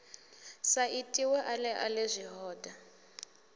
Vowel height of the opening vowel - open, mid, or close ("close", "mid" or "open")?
open